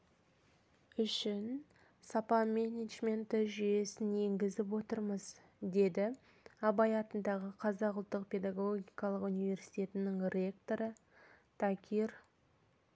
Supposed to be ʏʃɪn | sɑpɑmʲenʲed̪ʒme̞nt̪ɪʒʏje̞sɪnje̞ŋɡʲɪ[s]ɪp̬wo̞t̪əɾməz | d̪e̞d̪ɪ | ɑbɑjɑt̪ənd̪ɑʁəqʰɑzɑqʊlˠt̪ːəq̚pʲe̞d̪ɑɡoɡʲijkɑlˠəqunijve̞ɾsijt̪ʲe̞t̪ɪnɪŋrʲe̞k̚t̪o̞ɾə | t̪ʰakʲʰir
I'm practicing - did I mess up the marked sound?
yes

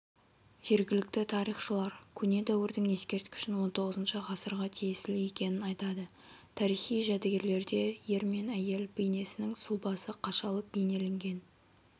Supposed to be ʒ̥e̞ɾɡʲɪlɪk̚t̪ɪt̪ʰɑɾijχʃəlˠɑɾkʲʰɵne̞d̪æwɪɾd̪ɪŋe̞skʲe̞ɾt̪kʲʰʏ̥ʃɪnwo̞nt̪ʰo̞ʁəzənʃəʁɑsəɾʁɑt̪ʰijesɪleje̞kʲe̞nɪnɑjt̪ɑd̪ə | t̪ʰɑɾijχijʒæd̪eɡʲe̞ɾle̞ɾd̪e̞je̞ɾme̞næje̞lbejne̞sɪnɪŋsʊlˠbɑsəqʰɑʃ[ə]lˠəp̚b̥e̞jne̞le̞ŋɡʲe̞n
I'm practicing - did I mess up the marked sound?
yes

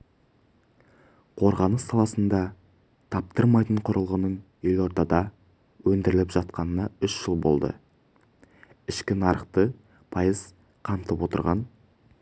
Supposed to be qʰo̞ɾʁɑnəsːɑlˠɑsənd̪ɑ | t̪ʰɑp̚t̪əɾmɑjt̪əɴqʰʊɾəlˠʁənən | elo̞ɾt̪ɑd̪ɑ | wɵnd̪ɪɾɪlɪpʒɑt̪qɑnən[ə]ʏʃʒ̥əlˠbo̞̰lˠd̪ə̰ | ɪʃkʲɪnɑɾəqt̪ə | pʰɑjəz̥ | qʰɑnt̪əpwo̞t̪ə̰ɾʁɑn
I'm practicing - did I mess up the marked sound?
yes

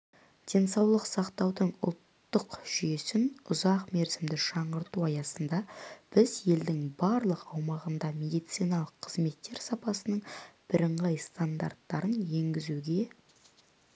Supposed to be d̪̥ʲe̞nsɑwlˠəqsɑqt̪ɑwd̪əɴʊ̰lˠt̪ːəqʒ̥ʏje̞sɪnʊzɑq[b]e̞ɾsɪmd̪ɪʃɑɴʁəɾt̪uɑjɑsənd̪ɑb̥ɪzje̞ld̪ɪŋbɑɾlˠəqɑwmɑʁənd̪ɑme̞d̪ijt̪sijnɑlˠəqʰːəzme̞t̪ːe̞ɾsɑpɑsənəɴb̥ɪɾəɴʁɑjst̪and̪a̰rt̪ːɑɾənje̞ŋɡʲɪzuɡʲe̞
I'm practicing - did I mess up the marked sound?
yes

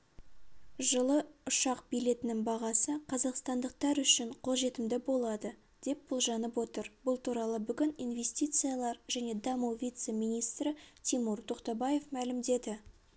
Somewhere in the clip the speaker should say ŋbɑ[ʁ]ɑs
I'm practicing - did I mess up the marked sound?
no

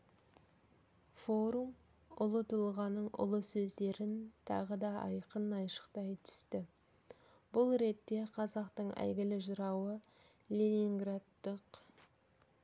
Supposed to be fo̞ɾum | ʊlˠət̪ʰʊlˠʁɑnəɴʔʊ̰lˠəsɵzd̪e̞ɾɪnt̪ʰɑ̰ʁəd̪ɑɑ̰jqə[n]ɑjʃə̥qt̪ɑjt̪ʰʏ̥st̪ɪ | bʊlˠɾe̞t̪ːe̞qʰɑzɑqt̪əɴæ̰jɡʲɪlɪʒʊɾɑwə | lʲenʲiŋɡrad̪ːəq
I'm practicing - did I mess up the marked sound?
no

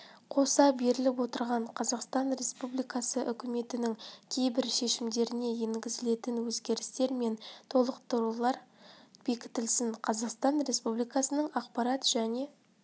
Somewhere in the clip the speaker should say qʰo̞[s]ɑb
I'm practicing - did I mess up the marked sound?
no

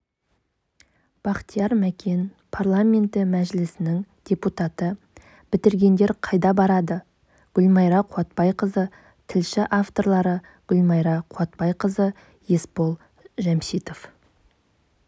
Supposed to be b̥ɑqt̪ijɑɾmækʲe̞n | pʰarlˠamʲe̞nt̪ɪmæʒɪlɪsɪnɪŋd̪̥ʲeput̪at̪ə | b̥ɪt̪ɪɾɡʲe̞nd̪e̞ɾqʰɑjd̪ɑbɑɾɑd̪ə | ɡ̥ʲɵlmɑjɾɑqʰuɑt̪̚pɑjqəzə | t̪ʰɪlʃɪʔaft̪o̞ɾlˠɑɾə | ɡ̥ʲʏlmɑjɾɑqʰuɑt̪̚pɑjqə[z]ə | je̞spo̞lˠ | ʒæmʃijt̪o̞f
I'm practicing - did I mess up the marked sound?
no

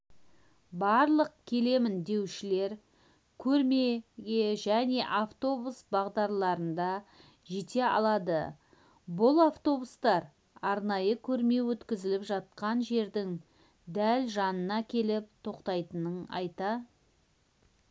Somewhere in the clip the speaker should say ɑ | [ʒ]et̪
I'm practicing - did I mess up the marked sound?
no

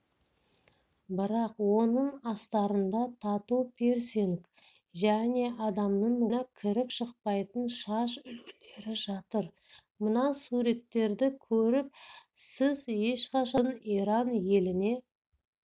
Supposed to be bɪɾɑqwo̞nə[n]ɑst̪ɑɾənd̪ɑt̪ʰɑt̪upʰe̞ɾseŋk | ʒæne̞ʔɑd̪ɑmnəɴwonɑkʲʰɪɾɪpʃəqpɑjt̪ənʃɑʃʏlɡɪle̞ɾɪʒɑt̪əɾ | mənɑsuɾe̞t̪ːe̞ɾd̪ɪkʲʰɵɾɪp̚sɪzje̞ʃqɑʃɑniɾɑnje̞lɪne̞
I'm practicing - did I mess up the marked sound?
yes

